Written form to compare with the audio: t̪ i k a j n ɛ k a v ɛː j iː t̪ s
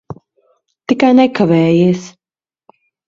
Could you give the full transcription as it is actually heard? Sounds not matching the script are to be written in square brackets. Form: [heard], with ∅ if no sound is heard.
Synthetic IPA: t̪ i k a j n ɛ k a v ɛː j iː [∅] s

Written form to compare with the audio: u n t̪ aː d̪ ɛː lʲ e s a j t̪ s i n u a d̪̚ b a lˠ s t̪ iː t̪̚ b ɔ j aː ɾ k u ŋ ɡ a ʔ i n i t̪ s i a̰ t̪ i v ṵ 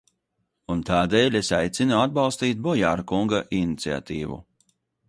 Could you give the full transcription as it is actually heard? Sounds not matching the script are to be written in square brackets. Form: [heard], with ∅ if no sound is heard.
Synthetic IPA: u n t̪ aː d̪ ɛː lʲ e s a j t̪ s i n u a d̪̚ b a lˠ s t̪ iː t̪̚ b ɔ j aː ɾ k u ŋ ɡ a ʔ i n i t̪ s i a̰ t̪ [iː] v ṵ

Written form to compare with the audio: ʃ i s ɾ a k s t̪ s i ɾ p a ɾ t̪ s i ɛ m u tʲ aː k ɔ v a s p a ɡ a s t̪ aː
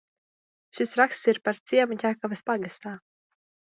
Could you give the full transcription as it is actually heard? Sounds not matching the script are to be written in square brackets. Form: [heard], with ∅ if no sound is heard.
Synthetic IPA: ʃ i s ɾ a k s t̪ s i ɾ p a ɾ t̪ s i ɛ m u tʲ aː k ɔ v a s p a ɡ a s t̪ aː

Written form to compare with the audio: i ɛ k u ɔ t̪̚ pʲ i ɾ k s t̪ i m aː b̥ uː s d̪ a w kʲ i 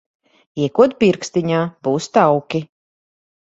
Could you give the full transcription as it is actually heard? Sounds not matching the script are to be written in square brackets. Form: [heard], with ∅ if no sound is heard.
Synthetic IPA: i ɛ k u ɔ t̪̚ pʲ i ɾ k s t̪ i [ɲ] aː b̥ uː s [t̪] a w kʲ i

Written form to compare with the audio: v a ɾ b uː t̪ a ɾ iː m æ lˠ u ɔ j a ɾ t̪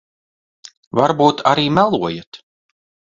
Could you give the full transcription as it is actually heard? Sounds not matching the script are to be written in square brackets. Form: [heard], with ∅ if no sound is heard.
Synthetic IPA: v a ɾ b uː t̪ a ɾ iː m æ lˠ u ɔ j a [∅] t̪

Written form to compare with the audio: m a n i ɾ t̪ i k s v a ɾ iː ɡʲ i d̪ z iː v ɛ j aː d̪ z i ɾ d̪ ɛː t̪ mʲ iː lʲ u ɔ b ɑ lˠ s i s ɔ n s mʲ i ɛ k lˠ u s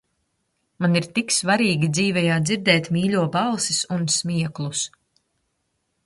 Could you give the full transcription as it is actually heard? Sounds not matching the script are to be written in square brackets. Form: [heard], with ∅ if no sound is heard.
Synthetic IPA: m a n i ɾ t̪ i k s v a ɾ iː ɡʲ i d̪ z iː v ɛ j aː d̪ z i ɾ d̪ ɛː t̪ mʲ iː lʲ u ɔ b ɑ lˠ s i s [u] n s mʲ i ɛ k lˠ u s

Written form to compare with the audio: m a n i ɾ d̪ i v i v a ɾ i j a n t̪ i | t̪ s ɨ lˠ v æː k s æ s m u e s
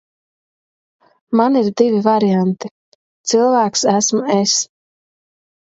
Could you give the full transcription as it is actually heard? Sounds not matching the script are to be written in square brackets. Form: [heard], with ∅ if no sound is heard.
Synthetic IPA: m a n i ɾ d̪ i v i v a ɾ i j a n t̪ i | t̪ s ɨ lˠ v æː k s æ s m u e s

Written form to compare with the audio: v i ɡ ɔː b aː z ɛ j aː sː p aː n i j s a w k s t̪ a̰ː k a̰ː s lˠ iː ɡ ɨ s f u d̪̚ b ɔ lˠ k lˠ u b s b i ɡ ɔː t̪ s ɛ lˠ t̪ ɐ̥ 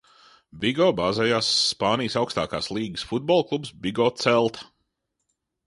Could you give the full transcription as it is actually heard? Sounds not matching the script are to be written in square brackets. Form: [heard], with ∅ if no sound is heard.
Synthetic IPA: [b] i ɡ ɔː b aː z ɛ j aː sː p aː n i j s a w k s t̪ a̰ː k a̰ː s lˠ iː ɡ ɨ s f u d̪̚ b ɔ lˠ k lˠ u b s b i ɡ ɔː t̪ s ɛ lˠ t̪ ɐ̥

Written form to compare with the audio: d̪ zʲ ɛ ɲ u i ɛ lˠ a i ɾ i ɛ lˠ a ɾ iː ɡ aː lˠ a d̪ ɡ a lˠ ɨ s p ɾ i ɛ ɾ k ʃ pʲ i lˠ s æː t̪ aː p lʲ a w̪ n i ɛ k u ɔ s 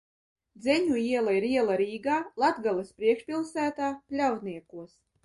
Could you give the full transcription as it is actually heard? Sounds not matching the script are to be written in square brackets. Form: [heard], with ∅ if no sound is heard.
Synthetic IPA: d̪ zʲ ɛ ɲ u i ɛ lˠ a i ɾ i ɛ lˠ a ɾ iː ɡ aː lˠ a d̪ ɡ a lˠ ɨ s p ɾ i ɛ [∅] k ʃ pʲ i lˠ s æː t̪ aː p lʲ a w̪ n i ɛ k u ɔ s

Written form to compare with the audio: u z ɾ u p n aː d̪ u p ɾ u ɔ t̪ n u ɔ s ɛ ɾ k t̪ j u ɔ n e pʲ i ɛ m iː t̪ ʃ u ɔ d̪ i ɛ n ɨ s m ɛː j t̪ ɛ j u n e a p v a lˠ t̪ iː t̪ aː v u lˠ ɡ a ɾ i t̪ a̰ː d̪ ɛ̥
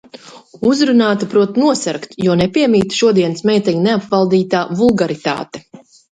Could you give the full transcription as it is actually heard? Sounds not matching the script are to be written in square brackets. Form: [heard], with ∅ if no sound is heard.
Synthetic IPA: u z ɾ u [∅] n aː [t̪] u p ɾ u ɔ t̪ n u ɔ s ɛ ɾ k t̪ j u ɔ n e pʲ i ɛ m iː t̪ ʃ u ɔ d̪ i ɛ n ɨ s m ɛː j t̪ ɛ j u n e a p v a lˠ [d̪] iː t̪ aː v u lˠ ɡ a ɾ i t̪ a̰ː [t̪] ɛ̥

